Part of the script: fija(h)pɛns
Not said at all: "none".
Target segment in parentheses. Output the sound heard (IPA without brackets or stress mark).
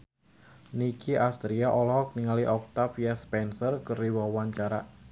s